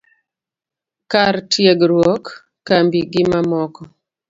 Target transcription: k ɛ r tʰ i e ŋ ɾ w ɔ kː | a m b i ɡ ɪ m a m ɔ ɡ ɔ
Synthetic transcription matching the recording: k a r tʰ j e ɡ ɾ w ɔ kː | a m b i ɡ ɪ m a m ɔ k ɔ